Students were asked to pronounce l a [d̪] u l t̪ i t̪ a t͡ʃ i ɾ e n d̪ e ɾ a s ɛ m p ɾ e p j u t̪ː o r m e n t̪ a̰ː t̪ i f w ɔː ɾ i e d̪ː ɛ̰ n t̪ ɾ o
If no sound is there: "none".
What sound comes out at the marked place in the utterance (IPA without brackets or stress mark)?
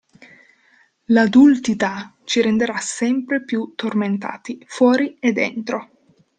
d̪